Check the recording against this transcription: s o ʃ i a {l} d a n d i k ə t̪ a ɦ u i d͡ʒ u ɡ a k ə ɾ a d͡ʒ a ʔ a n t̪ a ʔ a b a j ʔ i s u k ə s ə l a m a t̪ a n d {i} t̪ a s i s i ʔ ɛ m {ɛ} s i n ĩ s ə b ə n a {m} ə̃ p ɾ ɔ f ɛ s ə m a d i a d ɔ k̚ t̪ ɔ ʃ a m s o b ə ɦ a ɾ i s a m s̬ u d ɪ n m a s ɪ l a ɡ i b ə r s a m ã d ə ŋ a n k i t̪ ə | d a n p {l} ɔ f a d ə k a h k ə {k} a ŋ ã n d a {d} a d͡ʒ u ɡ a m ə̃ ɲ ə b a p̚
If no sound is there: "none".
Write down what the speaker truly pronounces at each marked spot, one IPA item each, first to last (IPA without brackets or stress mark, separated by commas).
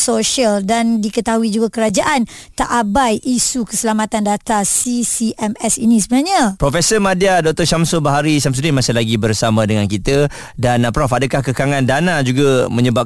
l, a, ɛ, ɲ, ɾ, k, n